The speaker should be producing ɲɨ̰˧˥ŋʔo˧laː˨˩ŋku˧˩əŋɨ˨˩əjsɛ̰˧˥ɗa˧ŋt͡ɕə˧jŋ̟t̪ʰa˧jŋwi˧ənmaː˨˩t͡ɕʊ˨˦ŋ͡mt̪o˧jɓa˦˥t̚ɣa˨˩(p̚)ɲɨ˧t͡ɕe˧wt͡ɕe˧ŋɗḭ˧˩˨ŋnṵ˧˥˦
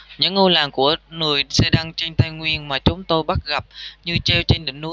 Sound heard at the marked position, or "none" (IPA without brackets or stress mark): p̚